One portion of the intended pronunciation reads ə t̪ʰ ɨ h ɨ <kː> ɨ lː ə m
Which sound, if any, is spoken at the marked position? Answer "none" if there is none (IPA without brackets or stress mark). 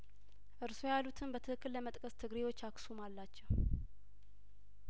kː